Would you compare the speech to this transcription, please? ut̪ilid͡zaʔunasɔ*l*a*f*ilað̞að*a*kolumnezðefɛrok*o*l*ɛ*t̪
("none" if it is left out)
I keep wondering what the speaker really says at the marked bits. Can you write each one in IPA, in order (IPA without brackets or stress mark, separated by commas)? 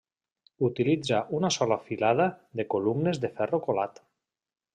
l, f, e, o, a